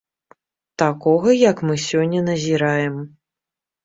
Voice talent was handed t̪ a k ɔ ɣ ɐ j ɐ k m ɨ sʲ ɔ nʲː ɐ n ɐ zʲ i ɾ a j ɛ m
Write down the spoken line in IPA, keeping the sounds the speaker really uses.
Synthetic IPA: t̪ a k ɔ ɣ ɐ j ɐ k m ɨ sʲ ɔ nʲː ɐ n ɐ zʲ i ɾ a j ɛ m